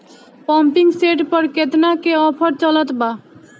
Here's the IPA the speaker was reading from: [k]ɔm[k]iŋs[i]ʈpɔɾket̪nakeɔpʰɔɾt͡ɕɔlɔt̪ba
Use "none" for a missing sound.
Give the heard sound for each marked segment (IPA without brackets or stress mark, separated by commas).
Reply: p, p, e